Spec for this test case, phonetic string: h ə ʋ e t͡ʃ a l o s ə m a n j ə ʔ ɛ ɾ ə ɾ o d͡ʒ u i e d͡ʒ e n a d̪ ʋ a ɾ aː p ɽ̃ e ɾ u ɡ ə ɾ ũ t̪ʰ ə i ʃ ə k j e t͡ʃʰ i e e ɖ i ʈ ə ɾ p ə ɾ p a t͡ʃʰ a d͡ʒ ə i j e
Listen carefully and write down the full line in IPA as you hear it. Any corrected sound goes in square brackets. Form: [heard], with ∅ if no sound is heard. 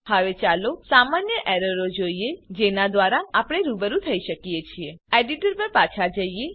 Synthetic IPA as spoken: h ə ʋ e t͡ʃ a l o s [a] m a n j ə ʔ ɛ ɾ ə ɾ o d͡ʒ [o] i e d͡ʒ e n a d̪ ʋ a ɾ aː p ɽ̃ e ɾ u [b] ə ɾ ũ t̪ʰ ə i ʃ ə k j e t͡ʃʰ i e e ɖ i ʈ ə ɾ p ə ɾ p a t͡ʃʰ a d͡ʒ ə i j e